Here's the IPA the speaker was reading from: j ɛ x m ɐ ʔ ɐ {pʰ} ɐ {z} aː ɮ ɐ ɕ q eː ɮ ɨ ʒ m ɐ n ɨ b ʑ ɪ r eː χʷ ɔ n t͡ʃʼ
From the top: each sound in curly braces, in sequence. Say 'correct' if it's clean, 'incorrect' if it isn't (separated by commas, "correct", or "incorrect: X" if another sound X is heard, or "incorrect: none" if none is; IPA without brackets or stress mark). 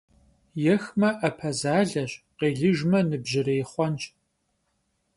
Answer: correct, correct